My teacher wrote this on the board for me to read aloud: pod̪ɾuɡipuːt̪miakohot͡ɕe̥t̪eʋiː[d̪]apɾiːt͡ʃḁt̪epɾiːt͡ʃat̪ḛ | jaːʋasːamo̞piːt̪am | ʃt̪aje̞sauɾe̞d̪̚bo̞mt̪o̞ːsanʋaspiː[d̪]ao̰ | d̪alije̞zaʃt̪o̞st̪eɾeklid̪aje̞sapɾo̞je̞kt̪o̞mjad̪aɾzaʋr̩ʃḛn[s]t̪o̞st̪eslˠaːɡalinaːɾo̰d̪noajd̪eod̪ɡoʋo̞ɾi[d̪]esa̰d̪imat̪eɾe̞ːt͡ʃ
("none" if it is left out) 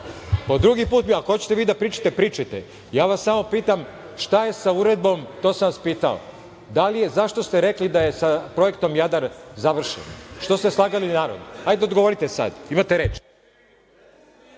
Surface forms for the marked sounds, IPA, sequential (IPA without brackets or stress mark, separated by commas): d̪, t̪, ʃ, t̪